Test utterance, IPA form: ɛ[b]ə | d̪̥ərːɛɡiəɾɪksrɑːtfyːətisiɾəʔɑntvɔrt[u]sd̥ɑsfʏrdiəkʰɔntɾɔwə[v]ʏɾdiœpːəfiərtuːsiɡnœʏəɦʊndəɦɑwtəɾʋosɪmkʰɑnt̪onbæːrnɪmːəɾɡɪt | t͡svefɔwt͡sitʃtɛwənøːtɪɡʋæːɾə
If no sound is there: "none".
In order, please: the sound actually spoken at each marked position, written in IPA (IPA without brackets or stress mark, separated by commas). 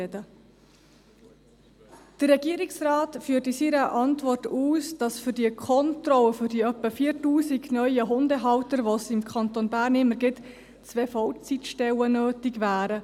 d, uː, f